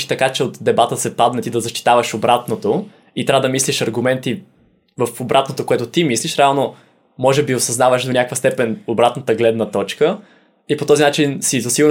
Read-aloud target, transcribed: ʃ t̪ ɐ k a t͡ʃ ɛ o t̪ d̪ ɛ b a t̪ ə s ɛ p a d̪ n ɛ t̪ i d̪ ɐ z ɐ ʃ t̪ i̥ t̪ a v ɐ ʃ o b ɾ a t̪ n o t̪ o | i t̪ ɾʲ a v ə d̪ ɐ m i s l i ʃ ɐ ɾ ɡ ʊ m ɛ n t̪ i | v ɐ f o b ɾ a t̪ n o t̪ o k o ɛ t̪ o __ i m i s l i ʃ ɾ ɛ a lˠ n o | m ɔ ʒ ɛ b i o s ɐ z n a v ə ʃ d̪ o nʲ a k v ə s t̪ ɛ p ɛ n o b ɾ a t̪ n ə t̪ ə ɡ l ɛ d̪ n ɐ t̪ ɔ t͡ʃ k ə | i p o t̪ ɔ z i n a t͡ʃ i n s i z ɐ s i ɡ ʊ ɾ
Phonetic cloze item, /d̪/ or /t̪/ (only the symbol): t̪